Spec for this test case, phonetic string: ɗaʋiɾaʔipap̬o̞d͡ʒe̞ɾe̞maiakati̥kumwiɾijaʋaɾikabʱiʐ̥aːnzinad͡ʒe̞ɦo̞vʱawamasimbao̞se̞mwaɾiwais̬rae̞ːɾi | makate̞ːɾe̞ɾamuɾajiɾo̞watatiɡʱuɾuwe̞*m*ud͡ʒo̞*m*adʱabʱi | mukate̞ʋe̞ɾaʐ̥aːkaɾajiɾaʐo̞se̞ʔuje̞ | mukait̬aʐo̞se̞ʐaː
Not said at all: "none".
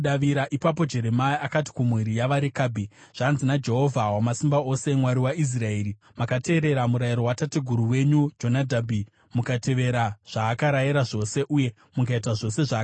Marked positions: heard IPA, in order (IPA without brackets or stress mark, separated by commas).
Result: ɲ, n